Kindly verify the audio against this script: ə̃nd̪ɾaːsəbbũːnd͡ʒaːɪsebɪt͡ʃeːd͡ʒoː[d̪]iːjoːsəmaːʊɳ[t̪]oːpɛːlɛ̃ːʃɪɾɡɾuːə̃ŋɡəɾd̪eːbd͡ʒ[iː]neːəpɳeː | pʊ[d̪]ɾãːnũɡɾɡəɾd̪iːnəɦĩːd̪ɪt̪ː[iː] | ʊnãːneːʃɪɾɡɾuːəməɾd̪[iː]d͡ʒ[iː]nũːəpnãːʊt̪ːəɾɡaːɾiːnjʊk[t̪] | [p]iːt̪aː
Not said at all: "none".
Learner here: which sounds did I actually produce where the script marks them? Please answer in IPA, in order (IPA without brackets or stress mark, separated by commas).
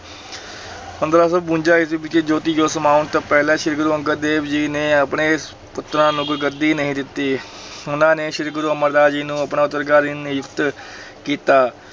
t̪, t̪, iː, t̪, iː, aː, iː, t̪, k